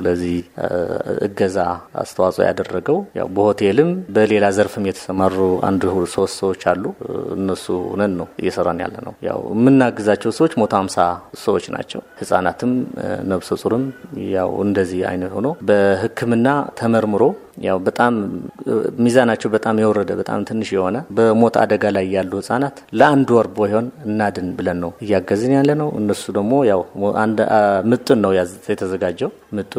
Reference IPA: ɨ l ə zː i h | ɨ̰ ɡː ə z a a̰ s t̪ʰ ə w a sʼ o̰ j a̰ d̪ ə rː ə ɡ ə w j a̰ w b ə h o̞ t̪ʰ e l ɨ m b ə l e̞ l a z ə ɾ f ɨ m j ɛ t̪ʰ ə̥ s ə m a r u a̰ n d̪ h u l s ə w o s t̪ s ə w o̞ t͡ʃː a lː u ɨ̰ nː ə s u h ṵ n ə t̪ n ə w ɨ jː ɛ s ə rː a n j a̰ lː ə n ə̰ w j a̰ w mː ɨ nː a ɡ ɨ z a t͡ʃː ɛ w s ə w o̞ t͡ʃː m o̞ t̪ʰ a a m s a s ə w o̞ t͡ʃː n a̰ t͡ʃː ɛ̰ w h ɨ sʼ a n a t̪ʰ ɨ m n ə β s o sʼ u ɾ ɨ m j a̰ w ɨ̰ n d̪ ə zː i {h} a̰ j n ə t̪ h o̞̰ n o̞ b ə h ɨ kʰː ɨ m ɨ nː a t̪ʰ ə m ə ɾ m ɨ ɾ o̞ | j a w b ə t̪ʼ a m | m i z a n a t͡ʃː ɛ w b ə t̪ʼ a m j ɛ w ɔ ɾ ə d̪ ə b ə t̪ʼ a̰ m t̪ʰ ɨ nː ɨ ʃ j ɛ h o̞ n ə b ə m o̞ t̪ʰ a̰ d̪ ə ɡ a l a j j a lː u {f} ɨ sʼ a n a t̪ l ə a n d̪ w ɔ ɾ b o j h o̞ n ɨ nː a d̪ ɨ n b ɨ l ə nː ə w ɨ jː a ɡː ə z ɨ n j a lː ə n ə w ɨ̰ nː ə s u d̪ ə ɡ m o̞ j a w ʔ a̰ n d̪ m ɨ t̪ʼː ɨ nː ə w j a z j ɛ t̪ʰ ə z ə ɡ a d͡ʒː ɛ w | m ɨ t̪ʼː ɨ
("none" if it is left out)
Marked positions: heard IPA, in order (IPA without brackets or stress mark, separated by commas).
h, h